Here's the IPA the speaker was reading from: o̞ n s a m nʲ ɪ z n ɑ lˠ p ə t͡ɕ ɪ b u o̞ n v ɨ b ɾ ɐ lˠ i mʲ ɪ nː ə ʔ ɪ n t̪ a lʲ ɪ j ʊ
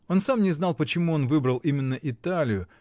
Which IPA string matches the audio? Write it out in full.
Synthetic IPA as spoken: o̞ n s a m nʲ ɪ z n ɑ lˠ p ə t͡ɕ ɪ m u o̞ n v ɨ b ɾ ə lˠ i mʲ ɪ nː ə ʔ ɪ t̪ a lʲ ɪ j ʊ

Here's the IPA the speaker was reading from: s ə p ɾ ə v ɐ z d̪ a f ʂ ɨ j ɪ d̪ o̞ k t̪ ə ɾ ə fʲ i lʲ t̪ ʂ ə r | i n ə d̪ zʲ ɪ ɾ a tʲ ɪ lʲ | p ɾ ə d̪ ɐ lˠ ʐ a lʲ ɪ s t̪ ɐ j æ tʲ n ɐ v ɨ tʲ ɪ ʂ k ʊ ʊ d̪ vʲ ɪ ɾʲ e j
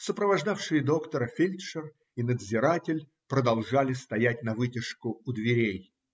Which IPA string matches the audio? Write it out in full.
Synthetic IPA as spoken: s ə p ɾ ə v ɐ ʐ d̪ a f ʂ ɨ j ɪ d̪ o̞ k t̪ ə ɾ ə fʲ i lʲ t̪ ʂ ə r | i n ə d̪ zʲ ɪ ɾ a tʲ ɪ lʲ | p ɾ ə d̪ ɐ lˠ ʐ a lʲ ɪ s t̪ ɐ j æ tʲ n ɐ v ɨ tʲ ɪ ʂ k ʊ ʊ d̪ vʲ ɪ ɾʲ e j

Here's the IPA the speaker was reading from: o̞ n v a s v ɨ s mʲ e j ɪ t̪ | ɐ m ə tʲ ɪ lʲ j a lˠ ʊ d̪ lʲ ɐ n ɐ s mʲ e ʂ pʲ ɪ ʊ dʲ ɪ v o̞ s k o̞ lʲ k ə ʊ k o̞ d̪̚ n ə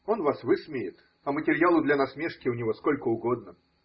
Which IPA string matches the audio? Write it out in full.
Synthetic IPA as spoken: o̞ n v a s v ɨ s mʲ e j ɪ t̪ | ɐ m ə tʲ ɪ ɾʲ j a lˠ ʊ d̪ lʲ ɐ n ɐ s mʲ e ʂ kʲ ɪ ʊ nʲ ɪ v o̞ s k o̞ lʲ k ə ʊ ɡ o̞ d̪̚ n ə

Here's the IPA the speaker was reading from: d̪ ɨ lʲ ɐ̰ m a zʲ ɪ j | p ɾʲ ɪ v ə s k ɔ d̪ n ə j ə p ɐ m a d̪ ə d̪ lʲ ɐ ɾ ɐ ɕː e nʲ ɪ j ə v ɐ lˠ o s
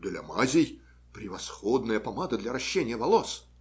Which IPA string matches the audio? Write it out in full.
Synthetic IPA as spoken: d̪ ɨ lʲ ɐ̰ m a zʲ ɪ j | p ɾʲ ɪ v ɐ s x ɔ d̪ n ə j ə p ɐ m a d̪ ə d̪ lʲ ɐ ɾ ɐ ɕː e nʲ ɪ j ə v ɐ lˠ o s

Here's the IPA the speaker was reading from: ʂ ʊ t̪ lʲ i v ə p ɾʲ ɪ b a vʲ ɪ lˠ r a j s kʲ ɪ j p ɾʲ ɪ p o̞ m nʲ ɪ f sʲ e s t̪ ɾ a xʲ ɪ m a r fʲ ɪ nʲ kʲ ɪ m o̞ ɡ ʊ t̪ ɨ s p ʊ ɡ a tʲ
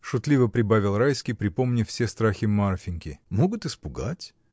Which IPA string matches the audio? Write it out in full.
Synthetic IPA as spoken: ʂ ʊ t̪ lʲ i v ə p ɾʲ ɪ b a vʲ ɪ lˠ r a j s kʲ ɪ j p ɾʲ ɪ p o̞ m nʲ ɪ f sʲ e s t̪ ɾ a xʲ ɪ m a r fʲ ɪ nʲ kʲ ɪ m o̞ ɡ ʊ t̪ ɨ s p ʊ ɡ a tʲ

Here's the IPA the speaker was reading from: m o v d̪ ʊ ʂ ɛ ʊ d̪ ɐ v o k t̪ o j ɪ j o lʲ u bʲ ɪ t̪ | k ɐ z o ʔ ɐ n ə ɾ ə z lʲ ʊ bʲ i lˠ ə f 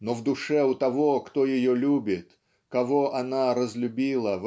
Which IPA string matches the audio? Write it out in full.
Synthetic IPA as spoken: n o v d̪ ʊ ʂ ɛ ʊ t̪ ɐ v o k t̪ o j ɪ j o lʲ u bʲ ɪ t̪ | k ɐ v o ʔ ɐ n a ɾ ə z lʲ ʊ bʲ i lˠ ə v

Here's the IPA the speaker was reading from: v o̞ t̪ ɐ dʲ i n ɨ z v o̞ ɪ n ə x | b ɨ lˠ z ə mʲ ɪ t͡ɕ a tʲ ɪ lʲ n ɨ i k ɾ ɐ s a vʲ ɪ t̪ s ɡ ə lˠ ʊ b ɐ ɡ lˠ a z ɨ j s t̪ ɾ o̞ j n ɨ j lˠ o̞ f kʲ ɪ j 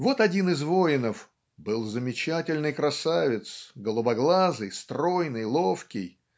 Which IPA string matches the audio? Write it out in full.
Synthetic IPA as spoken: v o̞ t̪ ɐ dʲ i n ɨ z v o̞ ɪ n ə f | b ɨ lˠ z ə mʲ ɪ t͡ɕ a tʲ ɪ lʲ n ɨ j k ɾ ɐ s a vʲ ɪ t̪ s ɡ ə lˠ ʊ b ɐ ɡ lˠ a z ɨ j s t̪ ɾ o̞ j n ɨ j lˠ o̞ f kʲ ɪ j

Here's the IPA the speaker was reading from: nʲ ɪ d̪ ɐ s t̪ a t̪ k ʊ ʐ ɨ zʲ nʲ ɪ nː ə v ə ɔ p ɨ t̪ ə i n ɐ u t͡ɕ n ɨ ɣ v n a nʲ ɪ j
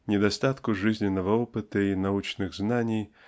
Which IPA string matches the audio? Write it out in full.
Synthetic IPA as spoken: nʲ ɪ d̪ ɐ s t̪ a t̪ k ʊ ʐ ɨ zʲ nʲ ɪ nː ə v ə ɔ p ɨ t̪ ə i n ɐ u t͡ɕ n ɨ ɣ z n a nʲ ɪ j

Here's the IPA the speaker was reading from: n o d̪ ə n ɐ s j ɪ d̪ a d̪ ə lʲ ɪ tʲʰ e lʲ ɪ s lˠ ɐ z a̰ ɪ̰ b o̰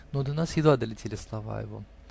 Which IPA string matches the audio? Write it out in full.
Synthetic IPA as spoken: n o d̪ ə n a s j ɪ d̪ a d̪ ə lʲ ɪ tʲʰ e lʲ ɪ s lˠ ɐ v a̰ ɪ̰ v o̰

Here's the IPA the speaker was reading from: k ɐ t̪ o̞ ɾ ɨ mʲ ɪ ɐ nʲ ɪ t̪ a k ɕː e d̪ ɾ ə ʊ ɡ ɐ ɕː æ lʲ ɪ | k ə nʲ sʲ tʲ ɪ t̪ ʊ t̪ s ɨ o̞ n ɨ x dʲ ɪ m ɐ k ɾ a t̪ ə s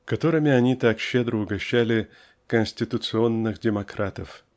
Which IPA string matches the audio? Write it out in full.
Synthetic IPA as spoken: k ɐ t̪ o̞ ɾ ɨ mʲ ɪ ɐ nʲ i t̪ a k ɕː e d̪ ɾ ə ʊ ɡ ɐ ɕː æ lʲ ɪ | k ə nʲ sʲ tʲ ɪ t̪ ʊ t̪ s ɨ o̞ nː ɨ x dʲ ɪ m ɐ k ɾ a t̪ ə f

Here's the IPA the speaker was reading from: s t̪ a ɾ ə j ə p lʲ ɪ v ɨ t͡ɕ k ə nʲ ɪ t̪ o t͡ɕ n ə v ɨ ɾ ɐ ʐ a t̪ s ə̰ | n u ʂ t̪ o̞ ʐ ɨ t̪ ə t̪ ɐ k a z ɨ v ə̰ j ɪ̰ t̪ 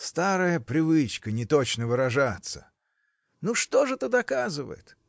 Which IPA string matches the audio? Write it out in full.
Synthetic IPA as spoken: s t̪ a ɾ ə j ə p ɾʲ ɪ v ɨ t͡ɕ k ə nʲ ɪ t̪ o t͡ɕ n ə v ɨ ɾ ɐ ʐ a t̪ s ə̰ | n u ʂ t̪ o̞ ʐ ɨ t̪ ə d̪ ɐ k a z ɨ v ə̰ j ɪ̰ t̪

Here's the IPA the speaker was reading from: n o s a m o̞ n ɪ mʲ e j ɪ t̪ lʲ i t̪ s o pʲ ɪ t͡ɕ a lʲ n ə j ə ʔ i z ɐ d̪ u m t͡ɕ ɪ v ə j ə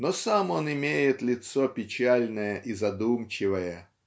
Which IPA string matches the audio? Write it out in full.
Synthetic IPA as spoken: n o s a m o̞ n ɪ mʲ e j ɪ t̪ lʲ ɪ t̪ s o pʲ ɪ t͡ɕ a lʲ n ə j ə ʔ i z ɐ d̪ u m t͡ɕ ɪ v ə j ə

